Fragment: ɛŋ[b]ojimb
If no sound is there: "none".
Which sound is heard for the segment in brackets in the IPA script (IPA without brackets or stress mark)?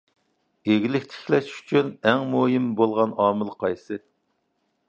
m